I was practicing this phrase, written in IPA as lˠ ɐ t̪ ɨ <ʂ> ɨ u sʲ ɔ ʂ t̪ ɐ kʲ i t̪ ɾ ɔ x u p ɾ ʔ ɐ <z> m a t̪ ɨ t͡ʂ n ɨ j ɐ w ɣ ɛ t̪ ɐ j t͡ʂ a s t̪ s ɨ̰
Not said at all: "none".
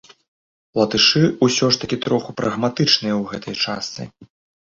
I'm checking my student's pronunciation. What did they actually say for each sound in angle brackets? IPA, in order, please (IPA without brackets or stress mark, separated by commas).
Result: ʂ, ɣ